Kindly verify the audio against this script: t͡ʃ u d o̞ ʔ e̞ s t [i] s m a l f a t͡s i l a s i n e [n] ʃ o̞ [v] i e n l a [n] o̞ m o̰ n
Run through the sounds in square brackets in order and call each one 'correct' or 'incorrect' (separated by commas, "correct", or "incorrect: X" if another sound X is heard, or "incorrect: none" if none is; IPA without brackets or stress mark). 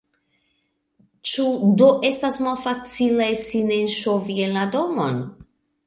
incorrect: a, correct, correct, incorrect: d